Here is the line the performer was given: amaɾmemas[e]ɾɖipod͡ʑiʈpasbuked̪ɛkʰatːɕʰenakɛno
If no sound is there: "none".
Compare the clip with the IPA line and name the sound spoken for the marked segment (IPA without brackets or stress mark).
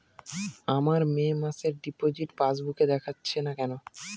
e